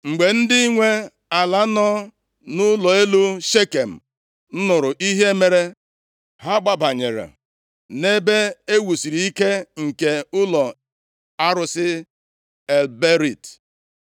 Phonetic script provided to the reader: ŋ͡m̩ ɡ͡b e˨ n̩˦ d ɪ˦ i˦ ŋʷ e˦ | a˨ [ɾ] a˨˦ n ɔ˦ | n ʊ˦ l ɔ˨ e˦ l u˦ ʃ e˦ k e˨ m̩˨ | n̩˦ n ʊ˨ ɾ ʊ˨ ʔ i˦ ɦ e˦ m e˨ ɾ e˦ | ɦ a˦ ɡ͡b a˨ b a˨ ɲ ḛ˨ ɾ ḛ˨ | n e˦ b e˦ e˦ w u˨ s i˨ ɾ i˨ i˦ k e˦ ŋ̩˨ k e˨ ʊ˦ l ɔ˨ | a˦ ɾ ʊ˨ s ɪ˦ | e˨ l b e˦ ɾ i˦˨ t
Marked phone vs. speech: incorrect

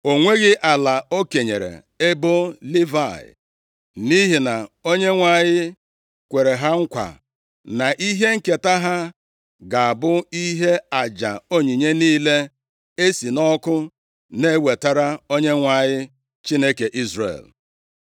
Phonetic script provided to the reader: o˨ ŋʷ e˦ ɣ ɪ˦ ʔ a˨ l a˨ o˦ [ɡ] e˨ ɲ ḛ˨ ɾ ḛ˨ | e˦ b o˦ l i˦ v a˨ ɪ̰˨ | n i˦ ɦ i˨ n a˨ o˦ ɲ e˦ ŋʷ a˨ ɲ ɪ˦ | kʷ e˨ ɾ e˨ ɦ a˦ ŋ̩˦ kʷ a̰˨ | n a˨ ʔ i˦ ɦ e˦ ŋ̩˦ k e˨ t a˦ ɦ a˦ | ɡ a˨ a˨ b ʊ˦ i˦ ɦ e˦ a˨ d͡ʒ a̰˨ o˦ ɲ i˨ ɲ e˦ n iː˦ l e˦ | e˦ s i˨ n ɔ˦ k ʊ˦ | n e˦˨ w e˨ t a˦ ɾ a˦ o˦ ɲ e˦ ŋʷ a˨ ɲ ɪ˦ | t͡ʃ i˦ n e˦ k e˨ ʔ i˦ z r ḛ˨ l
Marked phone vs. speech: incorrect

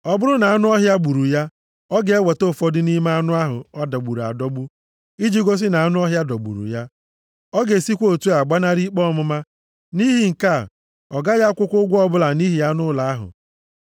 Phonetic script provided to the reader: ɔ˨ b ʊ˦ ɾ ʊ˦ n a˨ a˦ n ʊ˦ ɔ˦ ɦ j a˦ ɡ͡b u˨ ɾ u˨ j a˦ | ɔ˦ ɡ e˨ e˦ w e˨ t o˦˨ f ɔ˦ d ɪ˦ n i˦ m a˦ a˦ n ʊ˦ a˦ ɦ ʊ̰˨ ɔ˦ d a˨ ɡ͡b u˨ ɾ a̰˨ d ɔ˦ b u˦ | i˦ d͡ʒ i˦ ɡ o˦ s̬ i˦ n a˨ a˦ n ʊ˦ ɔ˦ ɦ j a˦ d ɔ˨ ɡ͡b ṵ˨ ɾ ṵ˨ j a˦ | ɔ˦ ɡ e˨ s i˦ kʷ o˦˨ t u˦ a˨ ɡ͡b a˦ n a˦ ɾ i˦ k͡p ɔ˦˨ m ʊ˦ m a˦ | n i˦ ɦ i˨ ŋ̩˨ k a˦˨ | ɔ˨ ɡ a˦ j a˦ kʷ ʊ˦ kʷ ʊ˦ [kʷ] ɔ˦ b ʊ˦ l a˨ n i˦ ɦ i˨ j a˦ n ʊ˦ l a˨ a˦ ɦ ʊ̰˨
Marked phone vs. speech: incorrect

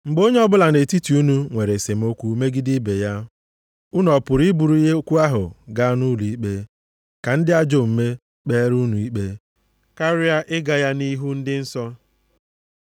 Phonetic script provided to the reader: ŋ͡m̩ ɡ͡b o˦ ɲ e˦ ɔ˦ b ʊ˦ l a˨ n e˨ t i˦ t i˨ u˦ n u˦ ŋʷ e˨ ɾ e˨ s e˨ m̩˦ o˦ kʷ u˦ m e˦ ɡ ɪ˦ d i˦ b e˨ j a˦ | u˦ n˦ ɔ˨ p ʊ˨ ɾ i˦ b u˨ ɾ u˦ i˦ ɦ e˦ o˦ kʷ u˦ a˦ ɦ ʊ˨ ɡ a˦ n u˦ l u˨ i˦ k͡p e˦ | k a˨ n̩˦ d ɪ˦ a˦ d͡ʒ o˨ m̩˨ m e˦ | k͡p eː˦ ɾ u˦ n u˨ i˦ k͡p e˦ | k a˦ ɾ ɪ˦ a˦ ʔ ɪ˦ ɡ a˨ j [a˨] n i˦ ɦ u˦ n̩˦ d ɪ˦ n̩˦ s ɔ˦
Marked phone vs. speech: incorrect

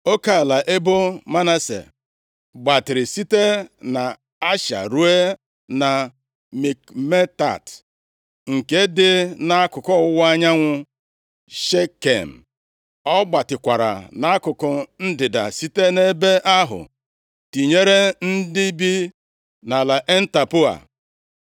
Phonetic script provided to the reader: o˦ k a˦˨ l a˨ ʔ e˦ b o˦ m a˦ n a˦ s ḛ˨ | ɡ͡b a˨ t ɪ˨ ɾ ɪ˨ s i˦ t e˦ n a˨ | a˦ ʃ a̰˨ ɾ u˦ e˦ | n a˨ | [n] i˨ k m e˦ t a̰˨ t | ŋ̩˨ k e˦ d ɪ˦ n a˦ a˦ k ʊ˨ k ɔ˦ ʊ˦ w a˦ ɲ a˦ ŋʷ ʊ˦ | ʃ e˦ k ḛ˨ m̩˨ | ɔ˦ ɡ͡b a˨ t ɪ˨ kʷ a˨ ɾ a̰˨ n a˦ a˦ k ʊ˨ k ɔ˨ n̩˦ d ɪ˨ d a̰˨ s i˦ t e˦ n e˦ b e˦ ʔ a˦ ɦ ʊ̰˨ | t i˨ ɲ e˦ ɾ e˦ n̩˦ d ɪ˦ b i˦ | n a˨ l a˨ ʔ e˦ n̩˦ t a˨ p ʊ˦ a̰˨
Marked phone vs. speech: incorrect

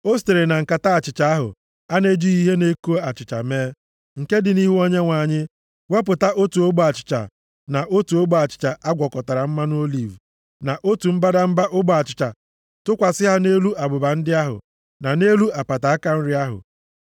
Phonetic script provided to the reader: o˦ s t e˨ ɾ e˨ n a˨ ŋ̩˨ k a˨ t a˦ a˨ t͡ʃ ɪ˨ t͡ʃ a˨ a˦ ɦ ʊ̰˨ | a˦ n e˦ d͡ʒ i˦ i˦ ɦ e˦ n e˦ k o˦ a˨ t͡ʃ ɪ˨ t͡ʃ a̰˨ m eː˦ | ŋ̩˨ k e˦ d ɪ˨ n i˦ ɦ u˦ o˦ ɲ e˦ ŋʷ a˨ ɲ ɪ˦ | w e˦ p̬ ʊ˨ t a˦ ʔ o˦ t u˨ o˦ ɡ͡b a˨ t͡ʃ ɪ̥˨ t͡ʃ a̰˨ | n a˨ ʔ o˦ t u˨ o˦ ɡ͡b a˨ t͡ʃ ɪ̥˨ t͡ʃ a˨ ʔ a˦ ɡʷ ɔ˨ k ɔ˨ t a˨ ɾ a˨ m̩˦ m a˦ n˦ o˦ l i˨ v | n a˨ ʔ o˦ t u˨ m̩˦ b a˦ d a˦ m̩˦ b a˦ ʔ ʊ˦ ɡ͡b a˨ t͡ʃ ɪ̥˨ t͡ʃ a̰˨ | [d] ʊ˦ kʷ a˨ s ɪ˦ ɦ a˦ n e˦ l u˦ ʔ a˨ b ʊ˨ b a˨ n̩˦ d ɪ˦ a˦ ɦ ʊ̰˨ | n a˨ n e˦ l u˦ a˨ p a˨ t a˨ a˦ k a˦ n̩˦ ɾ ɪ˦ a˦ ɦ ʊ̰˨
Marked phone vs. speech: incorrect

